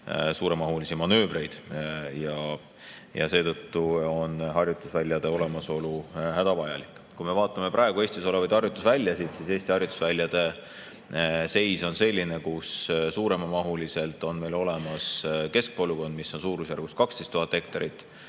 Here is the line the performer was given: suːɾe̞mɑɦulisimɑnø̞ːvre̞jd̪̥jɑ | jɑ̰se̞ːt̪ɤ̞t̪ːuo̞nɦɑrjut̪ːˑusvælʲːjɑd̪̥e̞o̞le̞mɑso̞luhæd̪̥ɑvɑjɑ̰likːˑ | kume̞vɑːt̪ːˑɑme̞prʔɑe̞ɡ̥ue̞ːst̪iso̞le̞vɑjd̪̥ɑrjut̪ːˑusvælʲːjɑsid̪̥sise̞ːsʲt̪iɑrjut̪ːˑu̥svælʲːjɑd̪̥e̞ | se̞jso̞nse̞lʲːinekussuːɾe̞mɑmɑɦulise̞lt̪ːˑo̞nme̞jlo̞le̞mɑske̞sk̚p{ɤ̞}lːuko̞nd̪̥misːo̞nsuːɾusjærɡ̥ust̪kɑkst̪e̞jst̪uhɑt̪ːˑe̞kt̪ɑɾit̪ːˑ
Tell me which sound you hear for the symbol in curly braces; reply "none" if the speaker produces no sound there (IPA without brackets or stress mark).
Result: o̞